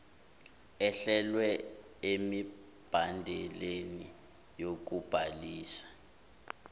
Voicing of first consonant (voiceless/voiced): voiceless